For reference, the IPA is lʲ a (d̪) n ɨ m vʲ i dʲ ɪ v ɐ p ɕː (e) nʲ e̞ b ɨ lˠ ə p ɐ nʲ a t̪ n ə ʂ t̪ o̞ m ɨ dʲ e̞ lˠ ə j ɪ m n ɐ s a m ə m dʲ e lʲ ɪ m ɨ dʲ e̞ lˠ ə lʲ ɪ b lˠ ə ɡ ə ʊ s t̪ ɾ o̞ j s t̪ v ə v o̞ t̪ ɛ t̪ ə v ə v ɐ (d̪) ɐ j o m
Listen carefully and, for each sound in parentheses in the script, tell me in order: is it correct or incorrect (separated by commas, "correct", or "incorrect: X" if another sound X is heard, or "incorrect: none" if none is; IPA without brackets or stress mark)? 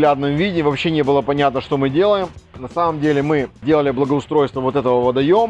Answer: correct, correct, correct